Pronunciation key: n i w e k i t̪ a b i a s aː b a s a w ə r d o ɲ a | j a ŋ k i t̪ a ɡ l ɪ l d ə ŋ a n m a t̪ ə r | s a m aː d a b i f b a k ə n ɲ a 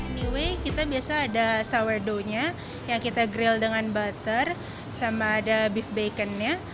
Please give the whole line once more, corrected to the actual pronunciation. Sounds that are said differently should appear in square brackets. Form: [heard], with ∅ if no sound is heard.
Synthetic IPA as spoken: n i w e k i t̪ a b i a s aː [d] a s a w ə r d o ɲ a | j a ŋ k i t̪ a ɡ [ɾ] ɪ l d ə ŋ a n [b] a t̪ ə r | s a m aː d a b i f b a k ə n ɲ a